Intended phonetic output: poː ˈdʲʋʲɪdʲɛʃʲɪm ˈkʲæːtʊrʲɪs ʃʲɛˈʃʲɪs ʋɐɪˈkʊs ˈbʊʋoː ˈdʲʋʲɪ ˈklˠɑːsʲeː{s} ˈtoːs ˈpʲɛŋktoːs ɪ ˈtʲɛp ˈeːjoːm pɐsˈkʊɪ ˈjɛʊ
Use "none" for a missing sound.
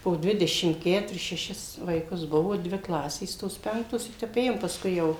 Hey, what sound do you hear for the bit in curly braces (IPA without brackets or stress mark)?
s